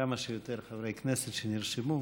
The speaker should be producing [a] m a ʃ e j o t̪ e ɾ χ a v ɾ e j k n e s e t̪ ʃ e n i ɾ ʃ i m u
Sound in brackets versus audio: correct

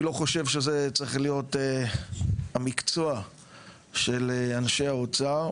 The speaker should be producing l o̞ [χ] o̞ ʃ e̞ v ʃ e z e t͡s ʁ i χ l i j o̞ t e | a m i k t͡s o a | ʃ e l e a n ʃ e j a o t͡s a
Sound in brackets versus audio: correct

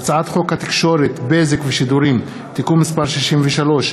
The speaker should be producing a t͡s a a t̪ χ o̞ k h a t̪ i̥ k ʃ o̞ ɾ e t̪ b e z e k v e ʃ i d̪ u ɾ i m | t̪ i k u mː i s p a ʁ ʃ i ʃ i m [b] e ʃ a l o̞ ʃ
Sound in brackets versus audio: incorrect: v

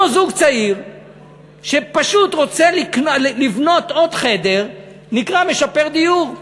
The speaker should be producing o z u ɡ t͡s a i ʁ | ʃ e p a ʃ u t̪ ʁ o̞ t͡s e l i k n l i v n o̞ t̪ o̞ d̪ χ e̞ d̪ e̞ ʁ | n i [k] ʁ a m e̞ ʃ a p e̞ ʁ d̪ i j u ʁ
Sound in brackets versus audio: correct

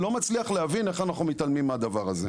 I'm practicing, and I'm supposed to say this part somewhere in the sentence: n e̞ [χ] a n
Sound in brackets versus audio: correct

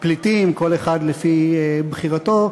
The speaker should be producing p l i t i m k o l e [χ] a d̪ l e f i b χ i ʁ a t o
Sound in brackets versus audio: correct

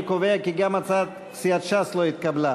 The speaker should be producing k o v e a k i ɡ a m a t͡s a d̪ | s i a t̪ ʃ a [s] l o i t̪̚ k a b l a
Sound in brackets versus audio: correct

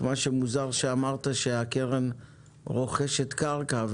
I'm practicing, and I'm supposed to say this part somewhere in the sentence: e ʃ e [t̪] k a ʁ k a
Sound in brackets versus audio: correct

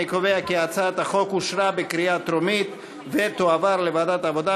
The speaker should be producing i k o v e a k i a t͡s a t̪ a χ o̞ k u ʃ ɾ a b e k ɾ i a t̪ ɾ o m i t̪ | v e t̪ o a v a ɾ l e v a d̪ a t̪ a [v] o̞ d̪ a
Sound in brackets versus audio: correct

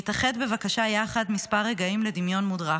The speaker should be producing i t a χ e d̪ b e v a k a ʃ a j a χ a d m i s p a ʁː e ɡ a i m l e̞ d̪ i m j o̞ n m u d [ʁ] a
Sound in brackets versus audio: correct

